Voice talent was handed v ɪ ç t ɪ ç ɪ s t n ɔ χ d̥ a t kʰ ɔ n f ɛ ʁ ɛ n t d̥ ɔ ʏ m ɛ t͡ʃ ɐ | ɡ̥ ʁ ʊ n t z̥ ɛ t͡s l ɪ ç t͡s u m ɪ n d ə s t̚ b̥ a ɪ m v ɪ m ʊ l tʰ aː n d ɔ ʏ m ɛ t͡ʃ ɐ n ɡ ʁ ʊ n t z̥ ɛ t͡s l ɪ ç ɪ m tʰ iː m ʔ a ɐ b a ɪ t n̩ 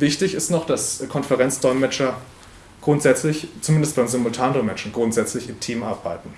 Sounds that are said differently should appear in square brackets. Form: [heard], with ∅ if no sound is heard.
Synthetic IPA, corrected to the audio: v ɪ ç t ɪ ç ɪ s t n ɔ χ d̥ a [s] kʰ ɔ n f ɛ ʁ ɛ n [t͡s] d̥ ɔ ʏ m ɛ t͡ʃ ɐ | ɡ̥ ʁ ʊ n t z̥ ɛ t͡s l ɪ ç t͡s u m ɪ n d ə s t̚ b̥ a ɪ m [z] ɪ m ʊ l tʰ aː n d ɔ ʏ m ɛ t͡ʃ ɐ n ɡ ʁ ʊ n t z̥ ɛ t͡s l ɪ ç ɪ m tʰ iː m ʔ a ɐ b a ɪ t n̩